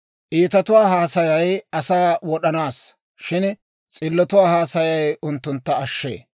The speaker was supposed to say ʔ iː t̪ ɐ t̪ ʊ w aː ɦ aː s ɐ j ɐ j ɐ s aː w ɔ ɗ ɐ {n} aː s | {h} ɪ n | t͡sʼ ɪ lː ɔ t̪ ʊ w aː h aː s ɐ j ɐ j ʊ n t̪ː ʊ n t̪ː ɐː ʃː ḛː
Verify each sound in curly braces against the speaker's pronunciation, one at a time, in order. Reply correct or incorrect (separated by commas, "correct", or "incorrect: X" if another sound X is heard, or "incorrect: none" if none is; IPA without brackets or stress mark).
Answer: correct, incorrect: ʃ